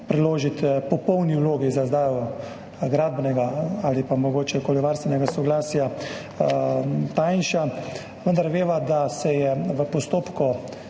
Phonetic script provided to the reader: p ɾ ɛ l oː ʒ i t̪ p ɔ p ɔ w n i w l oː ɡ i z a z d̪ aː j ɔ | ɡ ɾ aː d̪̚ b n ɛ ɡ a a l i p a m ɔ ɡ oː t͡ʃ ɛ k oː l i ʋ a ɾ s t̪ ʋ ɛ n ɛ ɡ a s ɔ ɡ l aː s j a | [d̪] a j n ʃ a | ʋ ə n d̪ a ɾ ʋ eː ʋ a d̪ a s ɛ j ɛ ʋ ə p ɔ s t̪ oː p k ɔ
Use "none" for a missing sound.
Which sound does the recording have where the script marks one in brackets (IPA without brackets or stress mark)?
t̪